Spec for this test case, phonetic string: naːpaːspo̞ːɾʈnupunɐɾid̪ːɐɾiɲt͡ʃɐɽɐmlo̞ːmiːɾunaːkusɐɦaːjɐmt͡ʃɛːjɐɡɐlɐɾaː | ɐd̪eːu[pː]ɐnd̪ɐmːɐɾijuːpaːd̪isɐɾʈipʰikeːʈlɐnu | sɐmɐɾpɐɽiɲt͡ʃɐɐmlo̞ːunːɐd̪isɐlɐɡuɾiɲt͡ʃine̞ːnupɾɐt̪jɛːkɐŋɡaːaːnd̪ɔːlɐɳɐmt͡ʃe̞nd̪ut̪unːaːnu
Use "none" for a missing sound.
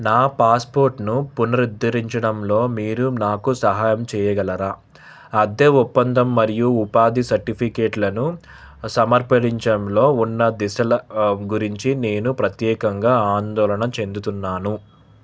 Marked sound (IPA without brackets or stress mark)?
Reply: pː